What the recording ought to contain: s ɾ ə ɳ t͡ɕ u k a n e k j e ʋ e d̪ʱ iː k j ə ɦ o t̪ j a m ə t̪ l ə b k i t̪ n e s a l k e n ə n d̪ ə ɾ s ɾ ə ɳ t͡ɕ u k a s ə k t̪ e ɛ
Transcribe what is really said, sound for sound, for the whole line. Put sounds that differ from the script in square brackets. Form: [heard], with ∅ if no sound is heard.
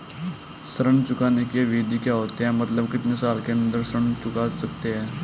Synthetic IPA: s ɾ ə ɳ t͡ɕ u k a n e k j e ʋ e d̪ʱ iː k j [a] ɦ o t̪ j a m ə t̪ l ə b k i t̪ n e s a l k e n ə n d̪ ə ɾ s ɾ ə ɳ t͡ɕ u k a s ə k t̪ e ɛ